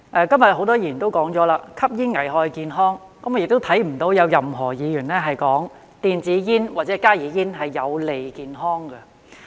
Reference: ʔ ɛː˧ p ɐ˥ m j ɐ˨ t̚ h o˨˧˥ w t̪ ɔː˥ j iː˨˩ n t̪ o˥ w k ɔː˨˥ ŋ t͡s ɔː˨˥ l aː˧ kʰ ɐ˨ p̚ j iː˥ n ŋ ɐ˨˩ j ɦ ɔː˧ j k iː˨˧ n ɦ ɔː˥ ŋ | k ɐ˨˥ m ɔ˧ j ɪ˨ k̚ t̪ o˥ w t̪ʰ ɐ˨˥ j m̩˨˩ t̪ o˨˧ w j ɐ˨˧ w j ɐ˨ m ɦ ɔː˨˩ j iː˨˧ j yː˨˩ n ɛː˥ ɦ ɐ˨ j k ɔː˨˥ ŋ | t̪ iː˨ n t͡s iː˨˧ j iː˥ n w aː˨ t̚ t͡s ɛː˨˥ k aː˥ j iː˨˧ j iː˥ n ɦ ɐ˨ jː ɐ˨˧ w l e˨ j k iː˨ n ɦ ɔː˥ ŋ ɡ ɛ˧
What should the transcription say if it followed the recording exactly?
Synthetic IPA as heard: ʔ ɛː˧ k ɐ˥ m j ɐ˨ t̚ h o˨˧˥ w t̪ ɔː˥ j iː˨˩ n t̪ o˥ w k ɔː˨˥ ŋ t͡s ɔː˨˥ l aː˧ kʰ ɐ˥ p̚ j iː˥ n ŋ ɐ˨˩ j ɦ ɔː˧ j k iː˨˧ n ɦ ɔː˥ ŋ | k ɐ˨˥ m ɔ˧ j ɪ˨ k̚ t̪ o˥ w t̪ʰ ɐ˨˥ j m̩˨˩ t̪ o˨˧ w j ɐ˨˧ w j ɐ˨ m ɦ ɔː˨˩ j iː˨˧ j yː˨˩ n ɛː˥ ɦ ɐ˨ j k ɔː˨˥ ŋ | t̪ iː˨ n t͡s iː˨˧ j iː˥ n w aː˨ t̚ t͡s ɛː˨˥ k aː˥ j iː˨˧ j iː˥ n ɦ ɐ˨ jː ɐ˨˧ w l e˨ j k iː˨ n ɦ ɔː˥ ŋ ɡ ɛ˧